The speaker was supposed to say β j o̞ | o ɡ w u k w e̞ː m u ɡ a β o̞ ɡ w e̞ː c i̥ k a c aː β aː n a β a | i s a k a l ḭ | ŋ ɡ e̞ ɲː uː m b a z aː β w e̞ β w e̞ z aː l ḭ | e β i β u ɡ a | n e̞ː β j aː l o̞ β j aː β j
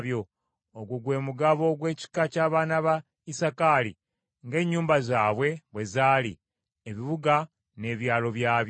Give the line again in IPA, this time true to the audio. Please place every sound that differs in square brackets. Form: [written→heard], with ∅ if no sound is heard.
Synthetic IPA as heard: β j o̞ | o ɡ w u [k→ɡ] w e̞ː m u ɡ a β o̞ ɡ w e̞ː c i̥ k a c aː β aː n a β a | i s a k a l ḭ | ŋ ɡ e̞ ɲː uː m b a z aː β w e̞ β w e̞ z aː l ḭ | e β i β u ɡ a | n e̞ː β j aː l o̞ β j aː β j